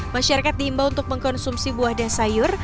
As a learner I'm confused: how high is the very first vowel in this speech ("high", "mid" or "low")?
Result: low